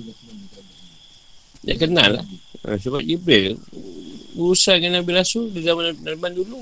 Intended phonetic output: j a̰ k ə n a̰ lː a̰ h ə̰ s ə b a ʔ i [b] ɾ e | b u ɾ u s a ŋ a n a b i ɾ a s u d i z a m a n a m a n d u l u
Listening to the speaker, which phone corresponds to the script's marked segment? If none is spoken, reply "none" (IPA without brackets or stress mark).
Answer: b